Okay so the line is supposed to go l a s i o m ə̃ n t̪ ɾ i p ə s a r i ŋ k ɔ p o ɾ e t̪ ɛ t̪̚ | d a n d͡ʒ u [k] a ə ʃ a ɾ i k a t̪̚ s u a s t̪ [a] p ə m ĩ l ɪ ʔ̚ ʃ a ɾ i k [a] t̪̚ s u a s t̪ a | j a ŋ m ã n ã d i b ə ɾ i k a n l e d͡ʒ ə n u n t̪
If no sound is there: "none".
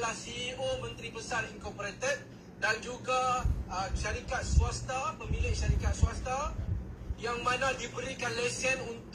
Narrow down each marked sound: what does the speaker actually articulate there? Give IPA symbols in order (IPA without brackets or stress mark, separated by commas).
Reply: ɡ, a, a